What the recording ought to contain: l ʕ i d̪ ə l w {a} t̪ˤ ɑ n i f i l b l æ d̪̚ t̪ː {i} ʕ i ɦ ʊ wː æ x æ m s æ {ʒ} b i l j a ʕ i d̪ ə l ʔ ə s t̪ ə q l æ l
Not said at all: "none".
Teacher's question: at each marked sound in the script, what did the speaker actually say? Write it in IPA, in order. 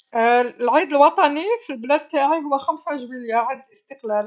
ɑ, a, ʒ

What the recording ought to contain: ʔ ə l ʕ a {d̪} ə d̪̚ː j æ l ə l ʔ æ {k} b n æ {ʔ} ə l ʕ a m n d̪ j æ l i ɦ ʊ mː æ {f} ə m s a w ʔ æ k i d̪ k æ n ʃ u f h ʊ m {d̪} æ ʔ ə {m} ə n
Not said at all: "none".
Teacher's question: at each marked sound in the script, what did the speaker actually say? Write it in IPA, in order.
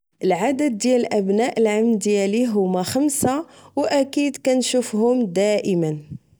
d̪, none, ʔ, x, d̪, m

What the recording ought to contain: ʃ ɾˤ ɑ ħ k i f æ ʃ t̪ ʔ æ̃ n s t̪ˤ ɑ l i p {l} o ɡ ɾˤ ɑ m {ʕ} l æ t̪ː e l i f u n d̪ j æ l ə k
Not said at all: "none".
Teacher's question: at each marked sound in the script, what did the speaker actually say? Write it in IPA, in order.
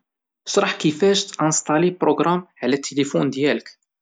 ɾ, ʕ

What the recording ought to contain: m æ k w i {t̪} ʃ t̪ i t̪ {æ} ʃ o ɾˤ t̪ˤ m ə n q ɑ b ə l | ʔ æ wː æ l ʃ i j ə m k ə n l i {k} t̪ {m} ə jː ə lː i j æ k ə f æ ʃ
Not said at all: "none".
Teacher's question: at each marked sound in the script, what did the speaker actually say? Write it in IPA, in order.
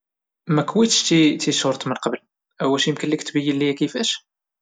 t̪, i, k, b

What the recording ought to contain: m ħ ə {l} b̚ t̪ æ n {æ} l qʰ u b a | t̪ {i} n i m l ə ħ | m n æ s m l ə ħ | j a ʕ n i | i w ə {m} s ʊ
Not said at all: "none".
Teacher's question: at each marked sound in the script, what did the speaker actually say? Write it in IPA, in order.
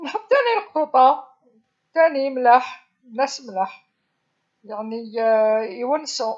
none, i, æ, n

